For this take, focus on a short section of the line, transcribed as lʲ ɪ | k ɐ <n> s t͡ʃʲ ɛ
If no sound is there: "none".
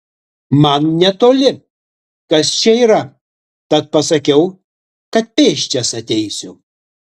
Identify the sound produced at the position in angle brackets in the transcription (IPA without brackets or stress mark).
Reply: none